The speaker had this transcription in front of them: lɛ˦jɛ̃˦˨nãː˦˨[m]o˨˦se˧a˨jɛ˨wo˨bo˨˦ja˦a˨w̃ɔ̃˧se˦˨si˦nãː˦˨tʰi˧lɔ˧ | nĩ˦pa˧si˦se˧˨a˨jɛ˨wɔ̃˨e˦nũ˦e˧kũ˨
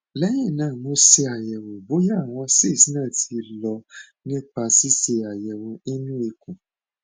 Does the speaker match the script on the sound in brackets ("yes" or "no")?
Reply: yes